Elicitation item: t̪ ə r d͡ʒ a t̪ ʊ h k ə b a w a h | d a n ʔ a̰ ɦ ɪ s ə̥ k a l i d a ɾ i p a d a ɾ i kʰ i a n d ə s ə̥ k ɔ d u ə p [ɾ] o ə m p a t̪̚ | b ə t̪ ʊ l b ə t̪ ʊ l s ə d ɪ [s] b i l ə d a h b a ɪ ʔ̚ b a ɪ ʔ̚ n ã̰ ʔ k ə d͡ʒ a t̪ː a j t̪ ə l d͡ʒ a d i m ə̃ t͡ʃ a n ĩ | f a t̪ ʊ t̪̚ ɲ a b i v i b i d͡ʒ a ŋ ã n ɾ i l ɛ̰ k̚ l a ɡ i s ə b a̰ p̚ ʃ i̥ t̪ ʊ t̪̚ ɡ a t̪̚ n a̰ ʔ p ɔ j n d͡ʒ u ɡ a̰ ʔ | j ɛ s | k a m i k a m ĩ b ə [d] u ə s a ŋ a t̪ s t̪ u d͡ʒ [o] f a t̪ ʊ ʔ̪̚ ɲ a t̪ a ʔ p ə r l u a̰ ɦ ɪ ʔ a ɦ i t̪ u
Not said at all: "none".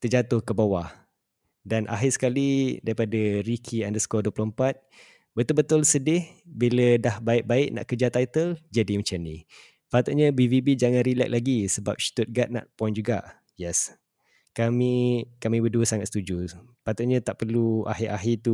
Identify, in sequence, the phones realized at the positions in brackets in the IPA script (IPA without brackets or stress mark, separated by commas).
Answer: l, h, d, u